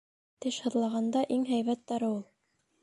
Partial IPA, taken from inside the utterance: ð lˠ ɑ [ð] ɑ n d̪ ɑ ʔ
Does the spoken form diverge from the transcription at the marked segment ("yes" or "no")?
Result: yes